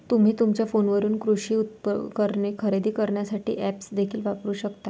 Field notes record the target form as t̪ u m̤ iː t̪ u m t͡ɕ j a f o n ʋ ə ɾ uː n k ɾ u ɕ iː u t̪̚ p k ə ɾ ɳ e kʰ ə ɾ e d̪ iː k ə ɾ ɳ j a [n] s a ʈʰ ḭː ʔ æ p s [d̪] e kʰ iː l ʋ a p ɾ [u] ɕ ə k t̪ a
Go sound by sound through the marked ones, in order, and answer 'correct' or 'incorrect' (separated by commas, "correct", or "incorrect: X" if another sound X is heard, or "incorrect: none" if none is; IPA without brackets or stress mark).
incorrect: none, correct, incorrect: uː